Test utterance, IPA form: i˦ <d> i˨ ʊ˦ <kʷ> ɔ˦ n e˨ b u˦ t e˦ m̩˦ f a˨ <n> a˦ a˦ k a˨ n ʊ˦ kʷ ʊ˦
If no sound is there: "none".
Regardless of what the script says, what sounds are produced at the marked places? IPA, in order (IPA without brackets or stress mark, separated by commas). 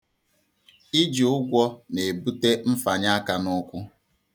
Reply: d͡ʒ, ɡʷ, ɲ